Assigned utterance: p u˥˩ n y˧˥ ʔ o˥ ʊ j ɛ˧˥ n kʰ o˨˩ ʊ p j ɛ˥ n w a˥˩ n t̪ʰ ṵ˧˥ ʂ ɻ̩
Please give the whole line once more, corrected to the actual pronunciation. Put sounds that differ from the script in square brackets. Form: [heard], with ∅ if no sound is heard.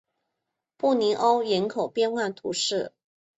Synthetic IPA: p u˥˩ n [i˧˥] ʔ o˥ ʊ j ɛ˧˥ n kʰ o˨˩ ʊ p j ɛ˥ n w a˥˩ n t̪ʰ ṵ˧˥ ʂ ɻ̩